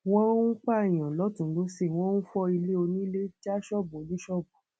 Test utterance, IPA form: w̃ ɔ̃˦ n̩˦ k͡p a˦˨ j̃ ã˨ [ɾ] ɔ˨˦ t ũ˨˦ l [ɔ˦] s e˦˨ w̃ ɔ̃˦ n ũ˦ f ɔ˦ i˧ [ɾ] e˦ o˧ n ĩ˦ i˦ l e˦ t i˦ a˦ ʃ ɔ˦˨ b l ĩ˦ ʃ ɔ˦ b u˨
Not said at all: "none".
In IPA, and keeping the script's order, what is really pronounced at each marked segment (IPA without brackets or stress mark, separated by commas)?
l, o˦, l